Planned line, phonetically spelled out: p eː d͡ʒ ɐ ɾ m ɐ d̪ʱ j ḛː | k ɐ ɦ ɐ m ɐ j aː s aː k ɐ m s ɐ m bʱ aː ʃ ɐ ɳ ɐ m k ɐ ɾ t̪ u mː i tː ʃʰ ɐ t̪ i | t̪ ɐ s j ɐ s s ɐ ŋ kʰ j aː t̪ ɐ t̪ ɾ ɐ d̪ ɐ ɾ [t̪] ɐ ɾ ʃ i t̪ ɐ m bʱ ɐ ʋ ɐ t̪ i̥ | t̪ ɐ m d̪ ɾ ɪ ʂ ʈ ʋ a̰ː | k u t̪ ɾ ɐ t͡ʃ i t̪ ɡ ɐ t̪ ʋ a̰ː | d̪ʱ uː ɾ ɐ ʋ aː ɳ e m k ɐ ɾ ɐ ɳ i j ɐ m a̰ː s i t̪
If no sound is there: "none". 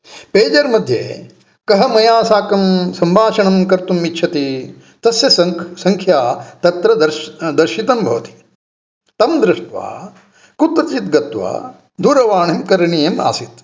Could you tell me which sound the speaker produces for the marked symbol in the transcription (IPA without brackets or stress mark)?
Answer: d̪